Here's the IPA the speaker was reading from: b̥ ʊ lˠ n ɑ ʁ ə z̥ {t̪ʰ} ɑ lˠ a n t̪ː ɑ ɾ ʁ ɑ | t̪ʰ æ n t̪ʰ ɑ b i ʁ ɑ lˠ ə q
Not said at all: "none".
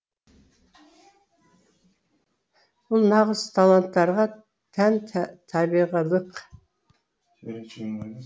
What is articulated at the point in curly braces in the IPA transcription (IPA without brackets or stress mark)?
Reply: t̪ʰ